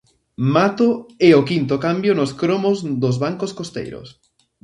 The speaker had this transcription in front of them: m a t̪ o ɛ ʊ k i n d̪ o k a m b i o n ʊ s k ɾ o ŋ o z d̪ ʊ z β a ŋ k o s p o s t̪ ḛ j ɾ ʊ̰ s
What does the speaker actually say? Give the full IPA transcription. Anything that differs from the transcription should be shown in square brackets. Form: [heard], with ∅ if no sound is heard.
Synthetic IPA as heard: m a t̪ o ɛ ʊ k i n [t̪] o k a m b [j] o n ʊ s k ɾ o [m] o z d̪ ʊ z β a ŋ k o s [k] o s t̪ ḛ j ɾ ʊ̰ s